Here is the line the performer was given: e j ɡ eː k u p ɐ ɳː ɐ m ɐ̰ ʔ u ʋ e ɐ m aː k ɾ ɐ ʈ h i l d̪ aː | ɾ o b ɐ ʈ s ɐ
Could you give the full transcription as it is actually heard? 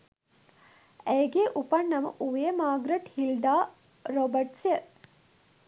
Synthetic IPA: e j ɡ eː ʔ u p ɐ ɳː ɐ m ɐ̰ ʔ u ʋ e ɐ m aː ɡ ɾ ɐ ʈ h i l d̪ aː | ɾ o b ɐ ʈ s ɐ

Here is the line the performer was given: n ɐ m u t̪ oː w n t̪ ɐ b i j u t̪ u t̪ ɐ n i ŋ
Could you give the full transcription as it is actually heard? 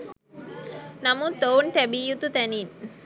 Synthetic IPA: n ɐ m u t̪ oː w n t̪ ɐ b i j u t̪ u t̪ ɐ n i n

